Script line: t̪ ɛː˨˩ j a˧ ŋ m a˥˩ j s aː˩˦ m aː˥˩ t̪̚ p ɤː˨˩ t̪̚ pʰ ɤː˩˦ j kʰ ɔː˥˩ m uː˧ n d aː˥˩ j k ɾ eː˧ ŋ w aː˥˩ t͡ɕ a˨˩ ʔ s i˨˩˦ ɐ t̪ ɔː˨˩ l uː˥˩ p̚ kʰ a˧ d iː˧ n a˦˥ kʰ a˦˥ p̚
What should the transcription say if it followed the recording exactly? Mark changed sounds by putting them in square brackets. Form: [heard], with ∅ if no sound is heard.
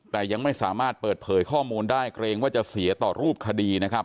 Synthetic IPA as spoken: t̪ ɛː˨˩ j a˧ ŋ m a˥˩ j s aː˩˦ m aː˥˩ t̪̚ p ɤː˨˩ t̪̚ pʰ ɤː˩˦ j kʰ ɔː˥˩ m uː˧ n d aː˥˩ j k ɾ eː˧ ŋ w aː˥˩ t͡ɕ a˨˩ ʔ s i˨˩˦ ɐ t̪ ɔː˨˩ [ɾ] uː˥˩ p̚ kʰ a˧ d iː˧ n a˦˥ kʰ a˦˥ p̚